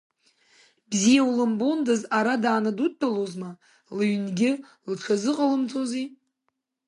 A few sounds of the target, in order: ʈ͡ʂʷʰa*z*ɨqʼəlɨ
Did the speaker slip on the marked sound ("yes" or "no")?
no